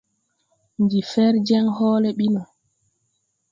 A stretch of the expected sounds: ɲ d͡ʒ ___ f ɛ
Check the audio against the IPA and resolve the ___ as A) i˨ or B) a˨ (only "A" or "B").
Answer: A